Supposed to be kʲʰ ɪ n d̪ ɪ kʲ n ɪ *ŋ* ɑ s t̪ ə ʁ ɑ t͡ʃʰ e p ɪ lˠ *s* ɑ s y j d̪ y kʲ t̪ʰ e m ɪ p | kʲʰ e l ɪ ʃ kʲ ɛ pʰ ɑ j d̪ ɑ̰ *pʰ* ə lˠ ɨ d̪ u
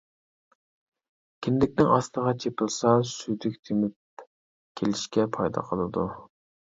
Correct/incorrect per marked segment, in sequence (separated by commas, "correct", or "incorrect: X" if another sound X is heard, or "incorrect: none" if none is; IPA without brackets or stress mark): correct, correct, incorrect: qʰ